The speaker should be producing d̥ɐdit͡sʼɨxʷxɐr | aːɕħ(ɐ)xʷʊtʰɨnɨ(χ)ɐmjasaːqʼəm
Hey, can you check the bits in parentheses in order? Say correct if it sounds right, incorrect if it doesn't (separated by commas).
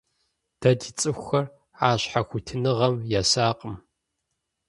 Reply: incorrect, incorrect